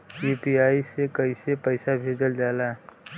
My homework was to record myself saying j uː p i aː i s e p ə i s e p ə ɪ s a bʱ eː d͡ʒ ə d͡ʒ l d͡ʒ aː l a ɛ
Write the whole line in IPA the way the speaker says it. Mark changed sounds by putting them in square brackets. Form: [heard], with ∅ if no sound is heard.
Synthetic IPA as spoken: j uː p i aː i s e [k] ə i s e p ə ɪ s a bʱ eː d͡ʒ ə [∅] l d͡ʒ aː l a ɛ